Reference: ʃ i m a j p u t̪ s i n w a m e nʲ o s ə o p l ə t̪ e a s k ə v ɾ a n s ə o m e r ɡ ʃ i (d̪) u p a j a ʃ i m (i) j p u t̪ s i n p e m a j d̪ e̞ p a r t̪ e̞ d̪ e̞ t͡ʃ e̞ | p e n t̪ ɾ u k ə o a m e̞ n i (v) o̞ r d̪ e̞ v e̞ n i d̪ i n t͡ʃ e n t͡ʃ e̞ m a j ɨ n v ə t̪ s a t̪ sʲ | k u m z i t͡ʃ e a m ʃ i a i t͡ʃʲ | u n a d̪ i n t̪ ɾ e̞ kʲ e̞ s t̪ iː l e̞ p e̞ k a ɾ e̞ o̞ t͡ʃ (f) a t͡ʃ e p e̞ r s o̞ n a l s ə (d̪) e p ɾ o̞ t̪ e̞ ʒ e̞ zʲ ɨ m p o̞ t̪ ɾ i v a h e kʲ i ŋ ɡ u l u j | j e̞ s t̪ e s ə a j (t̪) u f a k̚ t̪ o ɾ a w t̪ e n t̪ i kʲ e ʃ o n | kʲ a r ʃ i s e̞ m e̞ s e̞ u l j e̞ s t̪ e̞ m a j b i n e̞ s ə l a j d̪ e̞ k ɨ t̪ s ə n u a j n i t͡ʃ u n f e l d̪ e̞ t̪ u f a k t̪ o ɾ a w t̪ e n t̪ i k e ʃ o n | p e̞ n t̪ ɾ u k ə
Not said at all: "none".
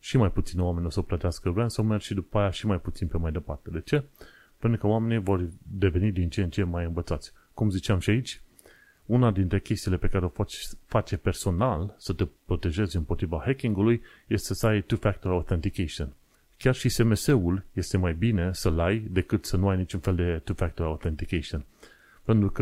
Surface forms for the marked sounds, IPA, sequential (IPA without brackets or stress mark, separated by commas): d̪, a, v, f, t̪, t̪